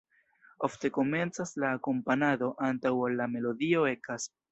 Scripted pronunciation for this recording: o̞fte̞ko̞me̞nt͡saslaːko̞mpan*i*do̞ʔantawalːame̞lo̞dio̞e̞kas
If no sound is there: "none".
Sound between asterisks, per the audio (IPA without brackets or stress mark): a